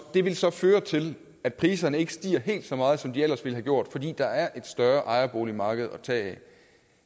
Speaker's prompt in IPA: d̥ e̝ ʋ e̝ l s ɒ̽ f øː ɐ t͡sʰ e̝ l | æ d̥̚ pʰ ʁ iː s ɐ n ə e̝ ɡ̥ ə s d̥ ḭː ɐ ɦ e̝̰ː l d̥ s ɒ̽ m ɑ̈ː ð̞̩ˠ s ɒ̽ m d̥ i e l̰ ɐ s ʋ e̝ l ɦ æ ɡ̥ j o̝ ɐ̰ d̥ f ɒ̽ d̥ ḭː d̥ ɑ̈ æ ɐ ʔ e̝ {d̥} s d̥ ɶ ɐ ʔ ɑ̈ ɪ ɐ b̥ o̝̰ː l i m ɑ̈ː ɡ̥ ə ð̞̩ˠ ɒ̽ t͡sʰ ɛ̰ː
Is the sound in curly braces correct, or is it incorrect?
correct